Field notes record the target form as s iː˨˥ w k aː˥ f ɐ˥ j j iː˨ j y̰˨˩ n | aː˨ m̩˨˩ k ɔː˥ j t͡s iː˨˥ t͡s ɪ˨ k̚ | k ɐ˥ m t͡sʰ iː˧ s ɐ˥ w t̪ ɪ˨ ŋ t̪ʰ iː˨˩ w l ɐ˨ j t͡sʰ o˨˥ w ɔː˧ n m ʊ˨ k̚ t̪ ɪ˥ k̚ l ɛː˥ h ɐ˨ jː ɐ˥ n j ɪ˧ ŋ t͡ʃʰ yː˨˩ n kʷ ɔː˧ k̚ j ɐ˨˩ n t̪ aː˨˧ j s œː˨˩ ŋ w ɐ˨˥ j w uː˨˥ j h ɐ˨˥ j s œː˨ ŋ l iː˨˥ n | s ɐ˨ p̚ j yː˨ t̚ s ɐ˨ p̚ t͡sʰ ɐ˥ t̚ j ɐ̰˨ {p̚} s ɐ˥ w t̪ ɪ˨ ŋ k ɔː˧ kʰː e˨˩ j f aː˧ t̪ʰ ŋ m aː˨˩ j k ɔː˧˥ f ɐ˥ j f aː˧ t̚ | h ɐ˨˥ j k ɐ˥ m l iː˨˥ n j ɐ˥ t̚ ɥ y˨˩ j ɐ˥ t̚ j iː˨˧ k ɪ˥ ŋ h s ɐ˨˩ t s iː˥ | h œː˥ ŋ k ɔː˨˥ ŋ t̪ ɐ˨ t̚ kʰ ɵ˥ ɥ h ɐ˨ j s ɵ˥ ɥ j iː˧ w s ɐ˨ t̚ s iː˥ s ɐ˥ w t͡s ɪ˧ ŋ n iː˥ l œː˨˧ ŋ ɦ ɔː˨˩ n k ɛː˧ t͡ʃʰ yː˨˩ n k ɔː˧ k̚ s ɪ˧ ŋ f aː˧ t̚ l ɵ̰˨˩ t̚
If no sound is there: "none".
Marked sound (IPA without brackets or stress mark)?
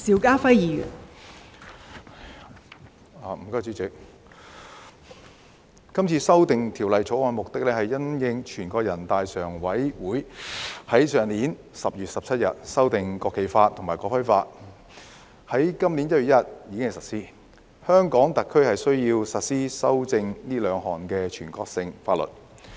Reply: t̚